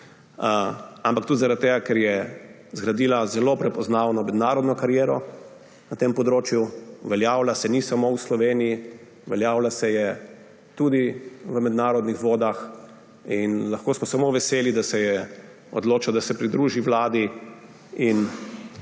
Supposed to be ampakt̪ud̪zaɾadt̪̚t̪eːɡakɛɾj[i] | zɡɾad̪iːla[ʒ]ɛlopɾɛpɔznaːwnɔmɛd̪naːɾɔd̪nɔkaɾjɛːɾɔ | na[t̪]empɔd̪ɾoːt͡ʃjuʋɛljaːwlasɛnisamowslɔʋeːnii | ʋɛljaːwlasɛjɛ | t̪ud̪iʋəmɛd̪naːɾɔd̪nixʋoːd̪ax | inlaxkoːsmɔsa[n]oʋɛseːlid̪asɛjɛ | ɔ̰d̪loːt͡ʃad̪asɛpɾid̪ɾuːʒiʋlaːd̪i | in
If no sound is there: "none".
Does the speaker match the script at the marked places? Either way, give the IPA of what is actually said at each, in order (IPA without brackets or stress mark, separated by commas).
ɛ, z, t̪, m